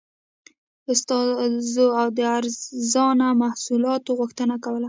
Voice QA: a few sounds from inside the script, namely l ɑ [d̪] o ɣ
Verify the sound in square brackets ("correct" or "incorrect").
incorrect